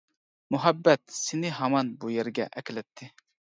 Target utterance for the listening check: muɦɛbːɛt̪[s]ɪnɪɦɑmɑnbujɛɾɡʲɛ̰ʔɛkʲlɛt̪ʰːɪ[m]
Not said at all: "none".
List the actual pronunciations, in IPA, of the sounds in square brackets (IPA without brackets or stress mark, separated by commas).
s, none